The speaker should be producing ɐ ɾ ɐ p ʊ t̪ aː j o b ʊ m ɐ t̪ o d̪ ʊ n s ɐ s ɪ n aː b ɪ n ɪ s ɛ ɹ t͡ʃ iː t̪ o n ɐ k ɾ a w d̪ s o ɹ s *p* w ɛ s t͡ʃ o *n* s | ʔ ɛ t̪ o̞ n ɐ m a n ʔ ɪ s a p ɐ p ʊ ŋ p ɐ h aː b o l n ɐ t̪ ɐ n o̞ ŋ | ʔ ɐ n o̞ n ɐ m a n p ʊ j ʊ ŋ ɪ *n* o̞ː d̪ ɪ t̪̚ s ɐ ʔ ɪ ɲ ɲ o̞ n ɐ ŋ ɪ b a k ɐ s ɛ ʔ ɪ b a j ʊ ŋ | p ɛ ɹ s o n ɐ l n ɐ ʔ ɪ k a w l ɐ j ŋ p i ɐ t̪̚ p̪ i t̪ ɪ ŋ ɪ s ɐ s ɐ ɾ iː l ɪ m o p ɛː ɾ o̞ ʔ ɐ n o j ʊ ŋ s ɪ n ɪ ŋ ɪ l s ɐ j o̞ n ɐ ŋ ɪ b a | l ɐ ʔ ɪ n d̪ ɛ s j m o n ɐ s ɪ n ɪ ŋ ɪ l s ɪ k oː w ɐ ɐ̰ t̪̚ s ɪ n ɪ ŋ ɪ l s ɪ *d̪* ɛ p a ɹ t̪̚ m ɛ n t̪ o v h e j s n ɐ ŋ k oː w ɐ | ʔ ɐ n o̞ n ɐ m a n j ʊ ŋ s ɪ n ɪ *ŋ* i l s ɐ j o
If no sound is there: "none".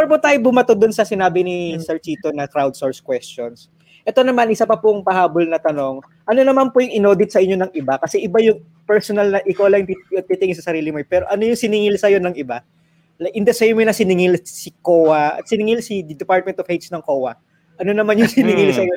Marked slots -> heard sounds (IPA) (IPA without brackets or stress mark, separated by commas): k, n, n, d̪, ŋ